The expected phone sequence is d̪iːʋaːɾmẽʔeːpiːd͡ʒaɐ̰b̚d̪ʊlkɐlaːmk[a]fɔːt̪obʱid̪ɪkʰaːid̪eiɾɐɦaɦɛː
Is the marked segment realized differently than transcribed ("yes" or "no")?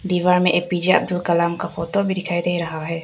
no